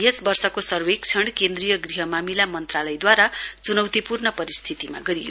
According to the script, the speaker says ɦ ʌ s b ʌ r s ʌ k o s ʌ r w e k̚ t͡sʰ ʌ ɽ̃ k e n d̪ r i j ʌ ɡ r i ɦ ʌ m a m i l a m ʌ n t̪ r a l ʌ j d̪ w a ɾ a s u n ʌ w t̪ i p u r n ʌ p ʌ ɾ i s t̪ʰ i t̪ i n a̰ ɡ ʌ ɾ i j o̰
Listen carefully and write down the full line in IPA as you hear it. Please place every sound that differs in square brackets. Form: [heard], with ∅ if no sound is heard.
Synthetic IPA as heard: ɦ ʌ s b ʌ r s ʌ k o s ʌ r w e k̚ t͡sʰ ʌ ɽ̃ k e n d̪ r i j ʌ ɡ r i ɦ ʌ m a m i l a m ʌ n t̪ r a l ʌ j d̪ w a ɾ a [t͡s] u n ʌ w t̪ i p u r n ʌ p ʌ ɾ i s t̪ʰ i t̪ i [m] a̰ ɡ ʌ ɾ i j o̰